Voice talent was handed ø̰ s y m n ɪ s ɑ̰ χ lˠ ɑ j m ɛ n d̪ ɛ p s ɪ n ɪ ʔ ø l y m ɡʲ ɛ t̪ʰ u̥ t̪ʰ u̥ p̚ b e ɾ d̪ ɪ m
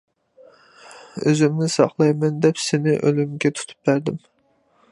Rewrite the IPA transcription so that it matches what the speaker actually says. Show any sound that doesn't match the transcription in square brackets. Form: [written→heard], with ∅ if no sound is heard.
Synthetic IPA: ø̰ [s→z] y m n ɪ s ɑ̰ χ lˠ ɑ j m ɛ n d̪ ɛ p s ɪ n ɪ ʔ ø l y m ɡʲ ɛ t̪ʰ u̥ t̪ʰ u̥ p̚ b [e→æ] ɾ d̪ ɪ m